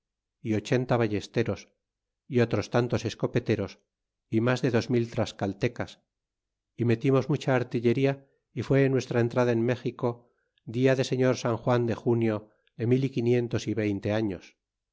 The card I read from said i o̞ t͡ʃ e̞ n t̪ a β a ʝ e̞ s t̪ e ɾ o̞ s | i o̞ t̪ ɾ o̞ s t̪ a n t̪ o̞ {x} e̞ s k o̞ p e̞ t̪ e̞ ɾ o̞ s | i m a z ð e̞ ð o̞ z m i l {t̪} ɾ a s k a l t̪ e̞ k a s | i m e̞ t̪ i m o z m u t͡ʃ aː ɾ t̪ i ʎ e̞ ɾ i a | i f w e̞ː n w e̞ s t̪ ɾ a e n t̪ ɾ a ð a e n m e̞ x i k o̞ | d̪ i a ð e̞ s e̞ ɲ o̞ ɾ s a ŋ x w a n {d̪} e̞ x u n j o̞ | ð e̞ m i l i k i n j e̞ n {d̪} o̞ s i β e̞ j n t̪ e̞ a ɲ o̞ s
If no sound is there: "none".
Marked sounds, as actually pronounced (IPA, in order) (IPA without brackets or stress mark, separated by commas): s, t̪, d̪, t̪